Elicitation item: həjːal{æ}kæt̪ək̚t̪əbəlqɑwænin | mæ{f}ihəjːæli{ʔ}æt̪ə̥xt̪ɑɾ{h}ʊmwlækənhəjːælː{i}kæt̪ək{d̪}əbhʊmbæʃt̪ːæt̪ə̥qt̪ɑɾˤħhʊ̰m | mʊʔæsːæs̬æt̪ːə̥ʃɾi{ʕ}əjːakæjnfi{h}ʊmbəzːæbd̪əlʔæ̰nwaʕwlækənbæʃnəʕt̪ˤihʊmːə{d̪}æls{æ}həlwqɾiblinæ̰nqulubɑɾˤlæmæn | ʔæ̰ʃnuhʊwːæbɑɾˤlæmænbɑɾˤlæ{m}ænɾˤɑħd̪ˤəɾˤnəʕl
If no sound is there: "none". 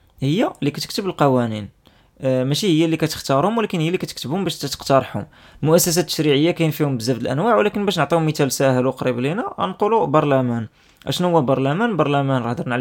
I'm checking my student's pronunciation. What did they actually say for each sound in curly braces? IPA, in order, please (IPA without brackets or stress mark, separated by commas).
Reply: i, ʃ, k, h, i, t̪, ʕ, h, t̪, æ, m